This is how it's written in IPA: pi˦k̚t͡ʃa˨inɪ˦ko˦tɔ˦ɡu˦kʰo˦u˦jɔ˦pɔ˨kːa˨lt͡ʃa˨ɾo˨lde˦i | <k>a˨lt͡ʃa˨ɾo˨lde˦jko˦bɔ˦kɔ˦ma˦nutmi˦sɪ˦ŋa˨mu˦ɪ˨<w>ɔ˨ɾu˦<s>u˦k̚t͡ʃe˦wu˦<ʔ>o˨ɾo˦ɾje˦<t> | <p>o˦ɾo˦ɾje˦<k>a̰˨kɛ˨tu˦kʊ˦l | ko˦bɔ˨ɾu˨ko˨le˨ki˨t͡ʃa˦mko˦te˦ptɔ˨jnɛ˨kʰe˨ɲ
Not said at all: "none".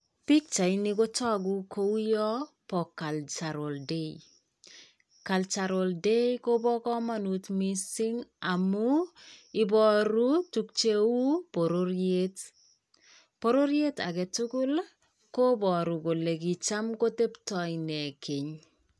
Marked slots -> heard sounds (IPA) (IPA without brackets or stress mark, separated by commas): k, b, t, p, t, p, t